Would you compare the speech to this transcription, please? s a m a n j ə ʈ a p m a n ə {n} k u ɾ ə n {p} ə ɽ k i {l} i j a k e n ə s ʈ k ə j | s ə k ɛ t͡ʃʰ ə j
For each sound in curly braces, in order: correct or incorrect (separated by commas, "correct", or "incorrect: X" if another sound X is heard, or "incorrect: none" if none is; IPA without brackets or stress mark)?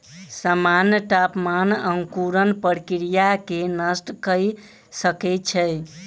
incorrect: ŋ, correct, incorrect: ɾ